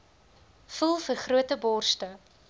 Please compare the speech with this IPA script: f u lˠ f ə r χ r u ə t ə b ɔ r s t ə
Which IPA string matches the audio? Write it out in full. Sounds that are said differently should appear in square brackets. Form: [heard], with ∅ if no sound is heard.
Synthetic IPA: f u lˠ f ə r χ r u ə t ə b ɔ r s t ə